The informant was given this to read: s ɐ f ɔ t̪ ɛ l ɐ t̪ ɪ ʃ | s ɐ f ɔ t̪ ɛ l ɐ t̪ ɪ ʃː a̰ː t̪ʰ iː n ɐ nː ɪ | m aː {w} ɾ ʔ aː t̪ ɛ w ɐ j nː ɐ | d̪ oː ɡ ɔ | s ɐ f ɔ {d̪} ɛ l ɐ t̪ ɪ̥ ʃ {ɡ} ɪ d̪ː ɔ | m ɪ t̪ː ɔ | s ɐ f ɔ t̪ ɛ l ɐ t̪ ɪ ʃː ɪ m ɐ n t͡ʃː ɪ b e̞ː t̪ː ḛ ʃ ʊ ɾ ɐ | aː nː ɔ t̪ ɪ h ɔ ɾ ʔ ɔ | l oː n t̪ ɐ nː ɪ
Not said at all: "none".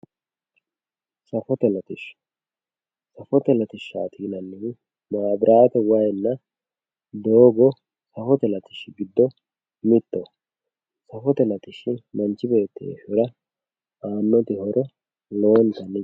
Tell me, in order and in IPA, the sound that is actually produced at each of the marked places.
b, t̪, ɡ

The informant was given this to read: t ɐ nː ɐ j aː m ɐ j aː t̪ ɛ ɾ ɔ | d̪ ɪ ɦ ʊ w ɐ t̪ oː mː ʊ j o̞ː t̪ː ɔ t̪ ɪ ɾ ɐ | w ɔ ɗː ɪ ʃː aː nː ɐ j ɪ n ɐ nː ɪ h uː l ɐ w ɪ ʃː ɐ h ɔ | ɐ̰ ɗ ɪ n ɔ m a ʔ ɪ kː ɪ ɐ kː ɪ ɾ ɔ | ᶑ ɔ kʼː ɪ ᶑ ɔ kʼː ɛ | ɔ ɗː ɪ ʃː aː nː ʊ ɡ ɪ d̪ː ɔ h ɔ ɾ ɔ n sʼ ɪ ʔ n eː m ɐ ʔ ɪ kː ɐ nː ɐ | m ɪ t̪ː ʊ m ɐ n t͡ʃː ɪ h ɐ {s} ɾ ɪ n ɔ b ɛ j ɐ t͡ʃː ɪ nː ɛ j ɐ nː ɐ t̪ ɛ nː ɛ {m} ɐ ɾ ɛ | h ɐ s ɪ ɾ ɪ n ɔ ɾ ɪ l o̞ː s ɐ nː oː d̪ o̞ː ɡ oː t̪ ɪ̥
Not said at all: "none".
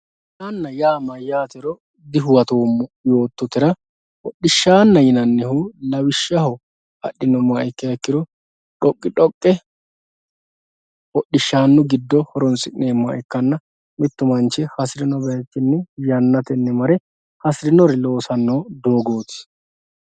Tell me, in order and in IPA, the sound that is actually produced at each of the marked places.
s, m

